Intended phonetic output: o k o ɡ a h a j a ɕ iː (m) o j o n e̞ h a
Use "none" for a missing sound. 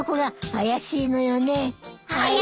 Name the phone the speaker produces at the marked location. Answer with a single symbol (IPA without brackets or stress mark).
n